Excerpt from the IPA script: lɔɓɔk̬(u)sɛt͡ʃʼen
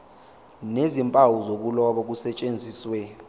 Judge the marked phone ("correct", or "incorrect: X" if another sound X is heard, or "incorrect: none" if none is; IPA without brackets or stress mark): correct